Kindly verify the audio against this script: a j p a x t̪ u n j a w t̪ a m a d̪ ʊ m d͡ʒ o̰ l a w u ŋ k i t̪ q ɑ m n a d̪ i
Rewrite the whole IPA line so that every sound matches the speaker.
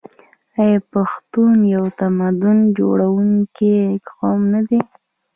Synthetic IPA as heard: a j p a x t̪ u n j a w t̪ a m a d̪ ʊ n d͡ʒ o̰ ɽ a w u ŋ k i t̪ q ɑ m n a d̪ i